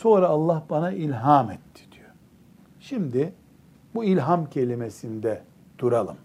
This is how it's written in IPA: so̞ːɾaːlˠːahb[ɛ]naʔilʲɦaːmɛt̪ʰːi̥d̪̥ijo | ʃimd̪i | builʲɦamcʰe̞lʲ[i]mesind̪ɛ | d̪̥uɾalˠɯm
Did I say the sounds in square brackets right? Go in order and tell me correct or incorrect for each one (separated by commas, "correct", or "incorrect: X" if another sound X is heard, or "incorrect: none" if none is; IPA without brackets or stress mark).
incorrect: a, correct